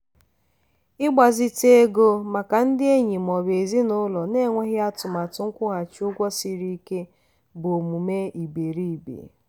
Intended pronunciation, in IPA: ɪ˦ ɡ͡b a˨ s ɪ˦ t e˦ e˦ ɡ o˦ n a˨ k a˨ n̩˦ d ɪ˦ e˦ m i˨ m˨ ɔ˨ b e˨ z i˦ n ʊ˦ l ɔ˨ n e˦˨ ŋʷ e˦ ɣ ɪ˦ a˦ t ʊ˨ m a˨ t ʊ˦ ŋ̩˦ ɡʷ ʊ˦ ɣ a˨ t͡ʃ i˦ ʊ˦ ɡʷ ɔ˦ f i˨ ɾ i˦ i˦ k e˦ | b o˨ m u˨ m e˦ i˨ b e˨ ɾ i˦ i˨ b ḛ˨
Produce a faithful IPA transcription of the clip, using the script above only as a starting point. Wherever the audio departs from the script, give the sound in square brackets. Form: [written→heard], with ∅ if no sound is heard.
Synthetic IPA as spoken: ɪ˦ ɡ͡b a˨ [s→z] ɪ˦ t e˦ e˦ ɡ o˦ [n→m] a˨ k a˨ n̩˦ d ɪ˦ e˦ [m→ɲ] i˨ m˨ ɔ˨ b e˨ z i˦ n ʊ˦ l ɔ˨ n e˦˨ ŋʷ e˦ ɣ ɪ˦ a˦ t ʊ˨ m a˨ t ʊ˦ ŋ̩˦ [ɡʷ→kʷ] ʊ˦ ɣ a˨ t͡ʃ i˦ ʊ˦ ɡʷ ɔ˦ [f→s] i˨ ɾ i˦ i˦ k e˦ | b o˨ m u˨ m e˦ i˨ b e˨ ɾ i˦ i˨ b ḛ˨